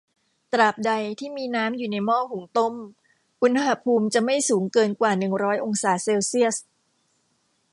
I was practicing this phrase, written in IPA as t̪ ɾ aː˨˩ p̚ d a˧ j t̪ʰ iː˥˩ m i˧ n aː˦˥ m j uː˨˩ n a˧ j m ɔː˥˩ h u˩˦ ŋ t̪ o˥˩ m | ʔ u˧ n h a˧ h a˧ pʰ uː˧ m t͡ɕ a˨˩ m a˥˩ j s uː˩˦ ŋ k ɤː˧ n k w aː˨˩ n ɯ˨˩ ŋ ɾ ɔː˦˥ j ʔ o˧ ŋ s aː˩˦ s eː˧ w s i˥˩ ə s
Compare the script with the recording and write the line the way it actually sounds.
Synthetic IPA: t̪ ɾ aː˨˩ p̚ d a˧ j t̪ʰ iː˥˩ m iː˧ n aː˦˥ m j uː˨˩ n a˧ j m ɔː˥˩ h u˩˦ ŋ t̪ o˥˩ m | ʔ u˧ n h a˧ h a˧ pʰ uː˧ m t͡ɕ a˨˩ m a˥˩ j s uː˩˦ ŋ k ɤː˧ n k w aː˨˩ n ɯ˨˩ ŋ ɾ ɔː˦˥ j ʔ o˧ ŋ s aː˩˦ s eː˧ w s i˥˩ ə s